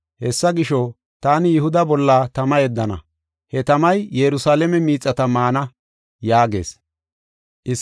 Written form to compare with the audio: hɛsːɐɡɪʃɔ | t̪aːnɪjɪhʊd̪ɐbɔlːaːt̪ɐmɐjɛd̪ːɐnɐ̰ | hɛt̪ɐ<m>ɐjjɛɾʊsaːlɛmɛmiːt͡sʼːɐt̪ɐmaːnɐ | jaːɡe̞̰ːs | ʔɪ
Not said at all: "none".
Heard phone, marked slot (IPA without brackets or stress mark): m